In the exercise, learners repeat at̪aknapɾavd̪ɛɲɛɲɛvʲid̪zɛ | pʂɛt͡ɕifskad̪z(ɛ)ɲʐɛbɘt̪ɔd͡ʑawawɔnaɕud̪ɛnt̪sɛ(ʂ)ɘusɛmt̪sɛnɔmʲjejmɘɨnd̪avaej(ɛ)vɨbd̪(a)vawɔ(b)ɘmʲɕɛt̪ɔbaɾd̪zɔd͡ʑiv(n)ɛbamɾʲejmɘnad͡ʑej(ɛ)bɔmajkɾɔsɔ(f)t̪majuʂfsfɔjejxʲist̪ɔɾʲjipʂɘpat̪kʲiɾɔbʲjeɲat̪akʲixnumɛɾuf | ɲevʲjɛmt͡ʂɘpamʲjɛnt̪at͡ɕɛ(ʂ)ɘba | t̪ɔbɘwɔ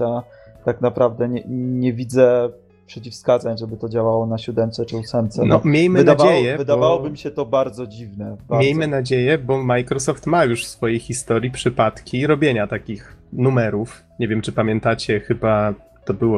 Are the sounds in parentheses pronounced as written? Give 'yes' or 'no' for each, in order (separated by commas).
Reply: no, no, yes, yes, yes, yes, yes, yes, no